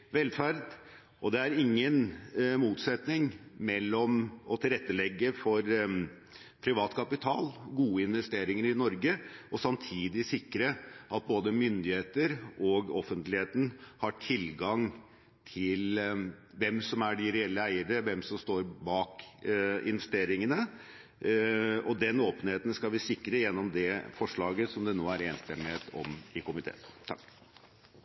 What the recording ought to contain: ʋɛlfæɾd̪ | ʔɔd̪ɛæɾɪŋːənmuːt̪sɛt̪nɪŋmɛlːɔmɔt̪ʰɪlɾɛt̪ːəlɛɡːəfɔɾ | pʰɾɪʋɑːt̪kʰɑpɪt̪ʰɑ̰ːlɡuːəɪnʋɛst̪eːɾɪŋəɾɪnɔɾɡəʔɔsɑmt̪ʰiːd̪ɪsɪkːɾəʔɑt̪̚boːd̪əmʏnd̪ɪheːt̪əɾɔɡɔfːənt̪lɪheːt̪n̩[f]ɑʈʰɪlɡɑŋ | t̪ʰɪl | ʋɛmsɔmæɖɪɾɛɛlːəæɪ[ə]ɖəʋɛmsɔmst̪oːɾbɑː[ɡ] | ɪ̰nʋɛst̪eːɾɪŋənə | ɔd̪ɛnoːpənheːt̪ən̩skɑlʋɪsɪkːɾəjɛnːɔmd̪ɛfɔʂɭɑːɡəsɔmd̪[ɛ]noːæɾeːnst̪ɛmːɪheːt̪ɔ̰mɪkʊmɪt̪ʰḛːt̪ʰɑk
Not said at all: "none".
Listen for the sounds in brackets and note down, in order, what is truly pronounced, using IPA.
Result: h, ə, k, ɛ

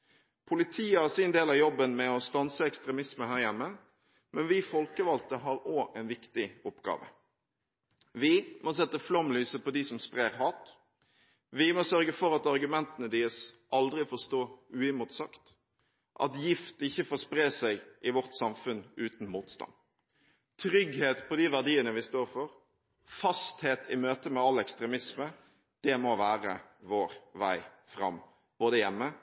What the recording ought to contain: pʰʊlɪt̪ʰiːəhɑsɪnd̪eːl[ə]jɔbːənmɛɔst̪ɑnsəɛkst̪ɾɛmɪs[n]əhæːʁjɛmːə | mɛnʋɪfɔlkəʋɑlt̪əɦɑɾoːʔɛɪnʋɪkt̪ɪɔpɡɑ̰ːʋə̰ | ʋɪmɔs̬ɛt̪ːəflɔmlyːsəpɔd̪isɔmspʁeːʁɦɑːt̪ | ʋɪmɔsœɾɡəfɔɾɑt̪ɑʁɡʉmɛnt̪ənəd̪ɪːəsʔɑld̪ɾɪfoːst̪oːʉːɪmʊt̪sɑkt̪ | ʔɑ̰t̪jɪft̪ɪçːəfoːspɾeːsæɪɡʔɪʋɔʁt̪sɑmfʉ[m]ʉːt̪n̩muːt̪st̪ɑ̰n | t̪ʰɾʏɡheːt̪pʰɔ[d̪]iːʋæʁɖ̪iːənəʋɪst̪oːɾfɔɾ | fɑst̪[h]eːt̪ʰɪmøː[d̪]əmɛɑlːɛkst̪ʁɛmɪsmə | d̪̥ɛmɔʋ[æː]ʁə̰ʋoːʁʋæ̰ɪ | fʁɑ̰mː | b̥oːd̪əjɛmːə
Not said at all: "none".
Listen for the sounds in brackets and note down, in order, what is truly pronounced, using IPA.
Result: ɑ, m, n, d̪, h, t̪, æː

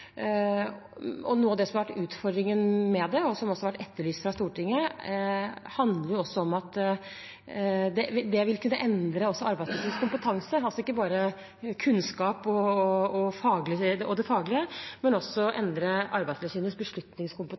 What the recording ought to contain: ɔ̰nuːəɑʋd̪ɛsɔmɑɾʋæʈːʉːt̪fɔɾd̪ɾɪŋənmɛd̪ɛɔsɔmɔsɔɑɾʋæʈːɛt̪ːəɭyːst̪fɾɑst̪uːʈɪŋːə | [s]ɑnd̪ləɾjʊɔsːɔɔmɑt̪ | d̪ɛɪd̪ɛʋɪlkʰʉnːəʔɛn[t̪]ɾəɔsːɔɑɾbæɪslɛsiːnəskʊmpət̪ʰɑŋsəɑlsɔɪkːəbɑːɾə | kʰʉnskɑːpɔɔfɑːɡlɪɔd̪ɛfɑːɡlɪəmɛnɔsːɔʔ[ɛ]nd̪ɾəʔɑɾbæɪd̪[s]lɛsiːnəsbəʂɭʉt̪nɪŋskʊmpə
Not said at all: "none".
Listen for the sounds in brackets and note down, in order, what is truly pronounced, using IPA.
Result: h, d̪, ɛ, s

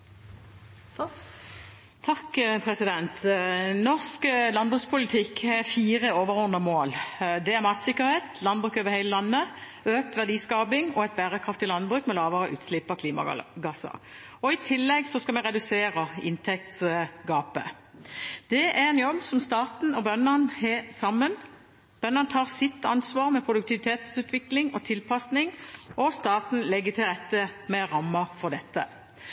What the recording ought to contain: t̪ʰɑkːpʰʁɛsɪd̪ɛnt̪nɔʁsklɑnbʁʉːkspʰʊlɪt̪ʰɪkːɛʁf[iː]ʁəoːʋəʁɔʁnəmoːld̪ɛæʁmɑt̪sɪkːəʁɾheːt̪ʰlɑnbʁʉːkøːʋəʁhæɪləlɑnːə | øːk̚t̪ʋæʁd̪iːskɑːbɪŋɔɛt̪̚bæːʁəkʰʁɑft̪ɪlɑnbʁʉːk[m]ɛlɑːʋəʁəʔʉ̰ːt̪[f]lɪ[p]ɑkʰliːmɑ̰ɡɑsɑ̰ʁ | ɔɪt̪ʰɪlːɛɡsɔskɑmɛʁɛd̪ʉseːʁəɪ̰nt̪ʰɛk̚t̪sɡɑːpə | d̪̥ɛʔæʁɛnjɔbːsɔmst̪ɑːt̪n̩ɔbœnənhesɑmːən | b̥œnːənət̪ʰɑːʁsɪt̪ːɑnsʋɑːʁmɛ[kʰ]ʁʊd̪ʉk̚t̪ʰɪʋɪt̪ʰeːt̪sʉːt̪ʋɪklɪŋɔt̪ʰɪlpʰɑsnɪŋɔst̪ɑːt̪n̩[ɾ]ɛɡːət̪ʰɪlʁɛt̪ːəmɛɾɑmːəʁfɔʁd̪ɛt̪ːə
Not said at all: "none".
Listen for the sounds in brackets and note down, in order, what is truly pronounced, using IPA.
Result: iː, m, s, p, pʰ, l

